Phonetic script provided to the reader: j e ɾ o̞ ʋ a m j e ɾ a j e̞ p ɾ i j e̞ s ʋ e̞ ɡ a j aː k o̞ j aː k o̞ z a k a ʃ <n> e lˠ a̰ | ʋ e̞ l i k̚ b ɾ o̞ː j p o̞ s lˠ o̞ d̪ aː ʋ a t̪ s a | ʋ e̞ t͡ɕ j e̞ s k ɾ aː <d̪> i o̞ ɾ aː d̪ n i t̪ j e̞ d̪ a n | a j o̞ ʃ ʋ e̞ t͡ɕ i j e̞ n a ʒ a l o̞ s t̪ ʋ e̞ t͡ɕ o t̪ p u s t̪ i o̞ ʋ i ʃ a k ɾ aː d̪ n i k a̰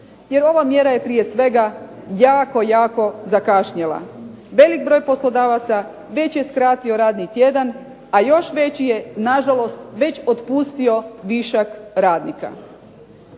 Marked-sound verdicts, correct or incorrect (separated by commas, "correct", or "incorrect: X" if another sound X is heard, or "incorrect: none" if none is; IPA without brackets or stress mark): incorrect: ɲ, incorrect: t̪